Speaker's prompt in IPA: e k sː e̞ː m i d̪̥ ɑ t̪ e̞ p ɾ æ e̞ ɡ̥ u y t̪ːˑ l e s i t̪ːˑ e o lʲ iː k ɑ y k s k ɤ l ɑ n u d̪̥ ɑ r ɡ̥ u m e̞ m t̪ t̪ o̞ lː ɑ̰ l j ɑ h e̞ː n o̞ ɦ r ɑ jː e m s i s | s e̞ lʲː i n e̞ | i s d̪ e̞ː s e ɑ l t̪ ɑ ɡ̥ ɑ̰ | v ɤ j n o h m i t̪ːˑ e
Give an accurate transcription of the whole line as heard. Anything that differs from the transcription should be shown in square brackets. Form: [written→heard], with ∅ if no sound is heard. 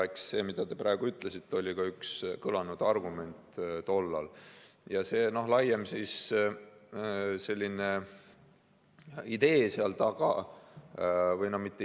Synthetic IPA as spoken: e k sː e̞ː m i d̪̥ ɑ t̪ e̞ p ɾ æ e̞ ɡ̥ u y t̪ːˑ l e s i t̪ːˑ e o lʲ [iː→i] k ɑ y k s k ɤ l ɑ n u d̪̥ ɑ r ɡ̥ u m e̞ [m→n] t̪ t̪ o̞ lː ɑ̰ l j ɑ [h→s] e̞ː n o̞ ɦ [r→l] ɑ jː e m s i s | s e̞ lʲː i n e̞ | i [s→∅] d̪ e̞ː s e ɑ l t̪ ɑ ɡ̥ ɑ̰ | v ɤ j n o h m i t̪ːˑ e

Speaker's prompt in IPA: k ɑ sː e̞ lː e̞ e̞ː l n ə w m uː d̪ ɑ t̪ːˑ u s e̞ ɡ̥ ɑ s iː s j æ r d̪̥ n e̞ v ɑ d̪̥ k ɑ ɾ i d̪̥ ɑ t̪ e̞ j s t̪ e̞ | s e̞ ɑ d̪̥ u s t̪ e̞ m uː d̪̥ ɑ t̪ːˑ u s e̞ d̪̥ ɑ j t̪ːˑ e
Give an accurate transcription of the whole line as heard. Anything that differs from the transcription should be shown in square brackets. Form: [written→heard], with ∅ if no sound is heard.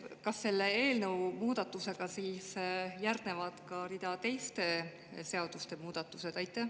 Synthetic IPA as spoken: k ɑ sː e̞ lː e̞ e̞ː l n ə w m uː d̪ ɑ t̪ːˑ u s e̞ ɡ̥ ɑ s iː s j æ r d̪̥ n e̞ v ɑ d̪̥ k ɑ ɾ i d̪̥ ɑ t̪ e̞ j s t̪ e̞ | s e̞ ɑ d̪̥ u s t̪ e̞ m uː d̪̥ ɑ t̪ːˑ u s e̞ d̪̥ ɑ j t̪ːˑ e

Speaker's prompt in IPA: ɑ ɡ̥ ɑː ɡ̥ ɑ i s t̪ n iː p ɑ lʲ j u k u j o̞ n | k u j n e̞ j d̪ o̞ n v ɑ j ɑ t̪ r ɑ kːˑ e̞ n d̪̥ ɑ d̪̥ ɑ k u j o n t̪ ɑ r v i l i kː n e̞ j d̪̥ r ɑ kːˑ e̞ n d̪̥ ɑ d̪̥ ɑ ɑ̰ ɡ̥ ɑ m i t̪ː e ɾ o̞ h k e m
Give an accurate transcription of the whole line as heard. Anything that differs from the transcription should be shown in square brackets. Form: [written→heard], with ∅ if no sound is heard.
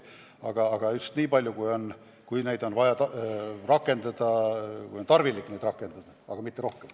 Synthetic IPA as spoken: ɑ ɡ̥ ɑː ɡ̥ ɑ [i→y] s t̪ n iː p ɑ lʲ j u k u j o̞ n | k u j n e̞ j d̪ o̞ n v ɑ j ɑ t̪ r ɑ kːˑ e̞ n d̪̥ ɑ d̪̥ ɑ k u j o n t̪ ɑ r v i l i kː n e̞ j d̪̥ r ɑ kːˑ e̞ n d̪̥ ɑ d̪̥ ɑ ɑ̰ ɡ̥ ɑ m i t̪ː e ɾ o̞ h k e m

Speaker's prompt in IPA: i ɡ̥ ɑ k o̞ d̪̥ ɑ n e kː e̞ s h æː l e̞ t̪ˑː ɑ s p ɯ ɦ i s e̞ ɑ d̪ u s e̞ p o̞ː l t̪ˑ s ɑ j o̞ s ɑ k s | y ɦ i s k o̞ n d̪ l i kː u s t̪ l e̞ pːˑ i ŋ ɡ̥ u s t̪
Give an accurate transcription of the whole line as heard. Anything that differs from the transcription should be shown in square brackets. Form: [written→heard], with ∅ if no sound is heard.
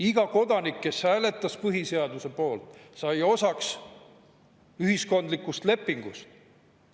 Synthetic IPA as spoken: i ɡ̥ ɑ k o̞ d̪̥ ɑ n [e→i] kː e̞ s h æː l e̞ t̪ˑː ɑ s p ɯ ɦ i s e̞ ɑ d̪ u s e̞ p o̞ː l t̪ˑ s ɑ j o̞ s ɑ k s | y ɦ i s k o̞ n d̪ l i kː u s t̪ l e̞ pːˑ i ŋ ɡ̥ u s t̪

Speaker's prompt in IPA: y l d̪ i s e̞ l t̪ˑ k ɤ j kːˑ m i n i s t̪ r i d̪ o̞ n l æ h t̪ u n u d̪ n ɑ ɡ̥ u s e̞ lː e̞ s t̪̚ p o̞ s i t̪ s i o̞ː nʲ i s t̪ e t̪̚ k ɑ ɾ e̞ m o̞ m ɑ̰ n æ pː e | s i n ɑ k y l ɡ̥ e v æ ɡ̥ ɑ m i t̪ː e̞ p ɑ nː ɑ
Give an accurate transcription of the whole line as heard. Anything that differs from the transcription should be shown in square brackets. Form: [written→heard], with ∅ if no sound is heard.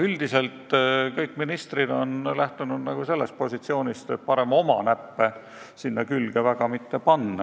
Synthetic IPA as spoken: y l d̪ i s e̞ l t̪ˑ k ɤ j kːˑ m i n i s t̪ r i d̪ o̞ n l æ h t̪ u n u d̪ n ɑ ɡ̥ u s e̞ lː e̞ s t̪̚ p o̞ s i t̪ s i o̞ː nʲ i s t̪ e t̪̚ [k→p] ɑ ɾ e̞ m o̞ m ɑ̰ n æ pː e | s i [n→nː] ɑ k y l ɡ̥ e v æ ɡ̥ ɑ m i t̪ː e̞ p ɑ nː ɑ

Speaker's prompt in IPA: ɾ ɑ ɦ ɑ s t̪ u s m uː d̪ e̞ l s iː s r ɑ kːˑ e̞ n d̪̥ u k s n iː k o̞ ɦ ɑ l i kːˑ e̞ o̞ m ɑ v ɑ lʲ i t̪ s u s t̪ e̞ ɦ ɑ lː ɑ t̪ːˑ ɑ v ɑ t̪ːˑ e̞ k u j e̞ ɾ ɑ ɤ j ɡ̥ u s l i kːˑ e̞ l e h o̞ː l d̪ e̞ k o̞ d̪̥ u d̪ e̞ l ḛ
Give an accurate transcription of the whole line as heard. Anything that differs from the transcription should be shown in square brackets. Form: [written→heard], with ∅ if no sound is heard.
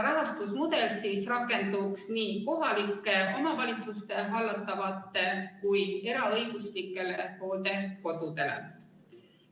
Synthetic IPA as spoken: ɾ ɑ ɦ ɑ s t̪ u s m [uː→u] d̪ e̞ l s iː s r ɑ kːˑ e̞ n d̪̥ u k s n iː k o̞ ɦ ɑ l i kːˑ e̞ o̞ m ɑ v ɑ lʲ i t̪ s u s t̪ e̞ ɦ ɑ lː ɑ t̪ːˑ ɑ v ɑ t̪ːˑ e̞ k u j e̞ ɾ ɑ ɤ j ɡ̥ u s l i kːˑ e̞ l e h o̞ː l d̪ e̞ k o̞ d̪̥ u d̪ e̞ l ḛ

